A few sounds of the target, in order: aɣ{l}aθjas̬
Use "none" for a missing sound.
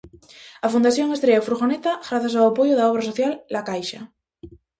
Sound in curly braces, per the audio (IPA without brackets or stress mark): ɾ